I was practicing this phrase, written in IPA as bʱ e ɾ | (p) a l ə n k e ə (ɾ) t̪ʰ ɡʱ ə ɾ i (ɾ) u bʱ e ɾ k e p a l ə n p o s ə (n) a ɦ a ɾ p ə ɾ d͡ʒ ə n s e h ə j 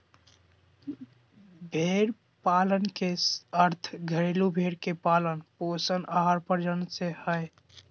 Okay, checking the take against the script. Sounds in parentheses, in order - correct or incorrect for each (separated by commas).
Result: correct, correct, incorrect, correct